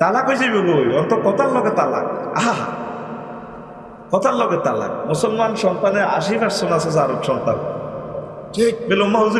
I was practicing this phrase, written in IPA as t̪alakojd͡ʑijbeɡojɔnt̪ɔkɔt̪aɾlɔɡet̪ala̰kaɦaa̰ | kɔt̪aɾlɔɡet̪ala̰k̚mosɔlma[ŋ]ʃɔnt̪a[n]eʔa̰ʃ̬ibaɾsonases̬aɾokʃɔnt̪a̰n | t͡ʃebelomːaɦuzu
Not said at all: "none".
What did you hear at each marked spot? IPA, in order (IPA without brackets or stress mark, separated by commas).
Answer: n, n